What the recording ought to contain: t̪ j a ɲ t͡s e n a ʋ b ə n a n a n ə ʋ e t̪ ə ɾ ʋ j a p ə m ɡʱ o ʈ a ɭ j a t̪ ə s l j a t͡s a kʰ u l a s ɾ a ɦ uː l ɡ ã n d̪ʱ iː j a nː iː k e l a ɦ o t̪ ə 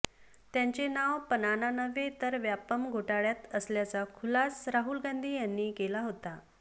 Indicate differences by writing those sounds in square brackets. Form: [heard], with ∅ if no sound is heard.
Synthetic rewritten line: t̪ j a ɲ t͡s e n a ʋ [p] ə n a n a n ə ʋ e t̪ ə ɾ ʋ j a p ə m ɡʱ o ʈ a ɭ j a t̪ ə s l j a t͡s a kʰ u l a s ɾ a ɦ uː l ɡ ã n d̪ʱ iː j a nː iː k e l a ɦ o t̪ [a]